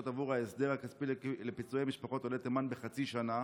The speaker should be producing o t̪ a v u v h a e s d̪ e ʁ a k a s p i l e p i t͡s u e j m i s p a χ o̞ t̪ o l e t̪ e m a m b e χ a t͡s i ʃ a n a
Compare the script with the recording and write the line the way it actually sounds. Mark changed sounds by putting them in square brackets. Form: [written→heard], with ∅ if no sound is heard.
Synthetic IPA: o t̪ a v u [v→ʁ] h a e s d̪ e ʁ a k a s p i l e p i t͡s u e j m i [s→ʃ] p a χ o̞ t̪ o l e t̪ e m a [m→n] b e χ a t͡s i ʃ a n a